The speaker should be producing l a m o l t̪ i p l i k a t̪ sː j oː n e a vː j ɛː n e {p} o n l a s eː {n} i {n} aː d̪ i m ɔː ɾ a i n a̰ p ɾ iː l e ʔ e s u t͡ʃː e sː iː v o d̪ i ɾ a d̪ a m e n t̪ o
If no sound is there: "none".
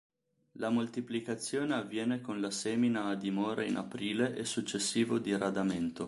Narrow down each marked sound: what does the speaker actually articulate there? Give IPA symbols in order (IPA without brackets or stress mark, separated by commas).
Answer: k, m, n